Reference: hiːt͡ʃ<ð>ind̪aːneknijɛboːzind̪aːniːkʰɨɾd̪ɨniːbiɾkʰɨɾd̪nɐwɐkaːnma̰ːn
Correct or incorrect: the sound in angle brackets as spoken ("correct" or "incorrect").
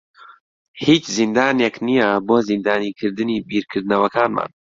incorrect